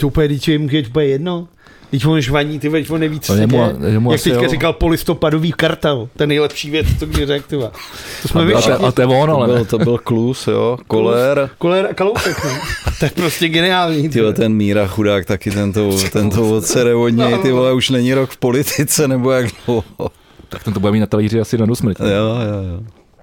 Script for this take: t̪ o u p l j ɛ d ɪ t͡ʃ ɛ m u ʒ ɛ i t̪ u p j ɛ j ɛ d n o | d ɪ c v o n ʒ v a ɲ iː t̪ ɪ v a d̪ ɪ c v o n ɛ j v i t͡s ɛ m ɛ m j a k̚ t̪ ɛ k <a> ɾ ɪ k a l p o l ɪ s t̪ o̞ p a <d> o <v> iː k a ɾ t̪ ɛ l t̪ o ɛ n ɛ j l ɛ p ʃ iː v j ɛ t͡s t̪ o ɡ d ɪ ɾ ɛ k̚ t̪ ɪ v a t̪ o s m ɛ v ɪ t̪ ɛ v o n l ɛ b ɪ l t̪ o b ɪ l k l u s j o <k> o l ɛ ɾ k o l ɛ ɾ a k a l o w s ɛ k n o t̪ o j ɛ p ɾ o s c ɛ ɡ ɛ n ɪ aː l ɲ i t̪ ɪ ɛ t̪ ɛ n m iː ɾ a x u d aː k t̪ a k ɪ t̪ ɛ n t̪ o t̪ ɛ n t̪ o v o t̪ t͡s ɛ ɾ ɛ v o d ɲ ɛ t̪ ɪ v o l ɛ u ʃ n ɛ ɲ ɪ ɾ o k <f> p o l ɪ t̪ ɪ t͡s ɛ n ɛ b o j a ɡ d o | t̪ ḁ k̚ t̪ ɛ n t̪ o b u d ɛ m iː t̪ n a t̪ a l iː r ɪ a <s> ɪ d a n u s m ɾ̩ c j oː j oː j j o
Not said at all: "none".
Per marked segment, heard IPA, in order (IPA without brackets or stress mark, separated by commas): a, d, v, k, f, s